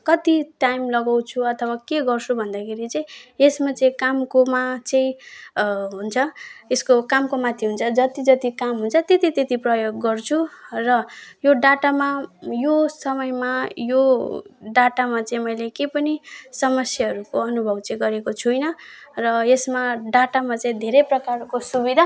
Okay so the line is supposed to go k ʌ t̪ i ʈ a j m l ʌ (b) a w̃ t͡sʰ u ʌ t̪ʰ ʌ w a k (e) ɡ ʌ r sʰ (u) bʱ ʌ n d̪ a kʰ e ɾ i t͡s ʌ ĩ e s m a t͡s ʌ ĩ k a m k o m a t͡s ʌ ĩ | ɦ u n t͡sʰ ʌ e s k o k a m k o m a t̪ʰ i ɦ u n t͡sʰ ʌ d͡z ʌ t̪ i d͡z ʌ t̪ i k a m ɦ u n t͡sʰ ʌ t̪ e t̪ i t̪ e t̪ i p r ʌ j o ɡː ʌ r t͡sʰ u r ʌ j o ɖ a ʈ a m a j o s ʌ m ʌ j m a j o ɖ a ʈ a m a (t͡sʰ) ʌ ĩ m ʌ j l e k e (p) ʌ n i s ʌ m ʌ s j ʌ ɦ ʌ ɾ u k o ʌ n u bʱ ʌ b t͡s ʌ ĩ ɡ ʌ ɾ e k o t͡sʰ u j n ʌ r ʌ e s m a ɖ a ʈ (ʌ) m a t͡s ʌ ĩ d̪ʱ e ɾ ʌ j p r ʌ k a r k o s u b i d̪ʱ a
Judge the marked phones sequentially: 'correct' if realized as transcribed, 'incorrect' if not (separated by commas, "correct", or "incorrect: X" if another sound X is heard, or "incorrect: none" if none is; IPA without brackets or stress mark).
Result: incorrect: ɡ, correct, correct, incorrect: t͡s, correct, incorrect: a